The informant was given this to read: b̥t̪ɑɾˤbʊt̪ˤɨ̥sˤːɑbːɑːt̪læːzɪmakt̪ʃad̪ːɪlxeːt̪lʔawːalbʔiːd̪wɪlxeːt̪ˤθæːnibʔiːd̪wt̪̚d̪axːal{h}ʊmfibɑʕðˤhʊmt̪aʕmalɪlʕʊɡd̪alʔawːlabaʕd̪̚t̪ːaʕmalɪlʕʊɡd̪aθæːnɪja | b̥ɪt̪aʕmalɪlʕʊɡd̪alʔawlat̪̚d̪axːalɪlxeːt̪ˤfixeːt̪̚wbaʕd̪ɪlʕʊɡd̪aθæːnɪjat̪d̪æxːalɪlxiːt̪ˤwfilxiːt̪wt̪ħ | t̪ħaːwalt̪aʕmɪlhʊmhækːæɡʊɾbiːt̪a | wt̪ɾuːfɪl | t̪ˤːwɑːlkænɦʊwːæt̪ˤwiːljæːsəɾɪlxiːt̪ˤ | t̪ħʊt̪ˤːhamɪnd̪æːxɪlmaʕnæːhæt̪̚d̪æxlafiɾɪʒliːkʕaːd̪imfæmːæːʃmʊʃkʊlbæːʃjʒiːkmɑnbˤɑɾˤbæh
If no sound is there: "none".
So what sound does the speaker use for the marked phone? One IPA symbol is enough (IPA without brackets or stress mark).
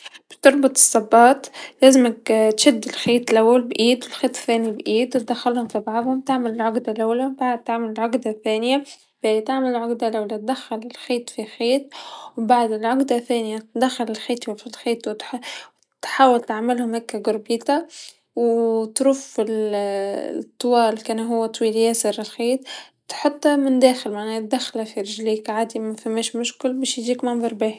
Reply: h